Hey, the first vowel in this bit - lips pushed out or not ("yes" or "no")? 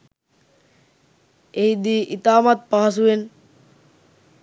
no